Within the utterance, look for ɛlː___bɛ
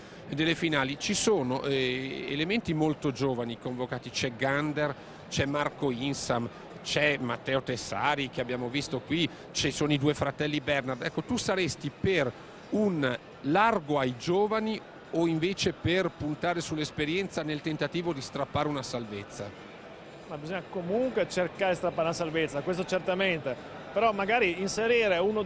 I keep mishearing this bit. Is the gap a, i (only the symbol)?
i